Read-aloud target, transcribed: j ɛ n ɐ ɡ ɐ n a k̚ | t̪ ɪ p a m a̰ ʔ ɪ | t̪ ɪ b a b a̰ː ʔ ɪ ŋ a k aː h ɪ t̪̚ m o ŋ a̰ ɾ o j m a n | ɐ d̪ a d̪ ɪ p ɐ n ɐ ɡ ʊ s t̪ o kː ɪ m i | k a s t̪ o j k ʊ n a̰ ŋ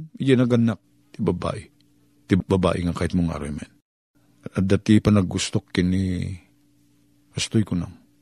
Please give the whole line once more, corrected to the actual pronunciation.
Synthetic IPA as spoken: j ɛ n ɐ ɡ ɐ n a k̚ | t̪ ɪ b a b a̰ ʔ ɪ | t̪ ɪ b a b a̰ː ʔ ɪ ŋ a k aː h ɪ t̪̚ m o ŋ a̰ ɾ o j m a n | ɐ d̪ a t̪ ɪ p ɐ n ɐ ɡ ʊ s t̪ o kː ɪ n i | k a s t̪ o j k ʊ n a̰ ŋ